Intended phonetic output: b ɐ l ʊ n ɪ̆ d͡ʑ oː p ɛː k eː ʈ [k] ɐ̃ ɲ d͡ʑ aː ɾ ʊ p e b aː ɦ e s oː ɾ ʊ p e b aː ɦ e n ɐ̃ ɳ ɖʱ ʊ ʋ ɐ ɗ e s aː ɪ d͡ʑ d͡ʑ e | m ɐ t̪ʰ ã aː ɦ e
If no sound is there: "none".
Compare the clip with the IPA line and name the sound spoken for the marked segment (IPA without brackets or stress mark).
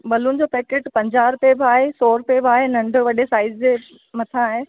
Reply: p